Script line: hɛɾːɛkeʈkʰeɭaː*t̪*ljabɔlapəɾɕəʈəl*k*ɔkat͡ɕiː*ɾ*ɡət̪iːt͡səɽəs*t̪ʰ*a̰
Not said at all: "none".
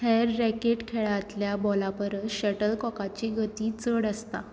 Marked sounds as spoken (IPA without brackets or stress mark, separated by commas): t̪, k, none, t̪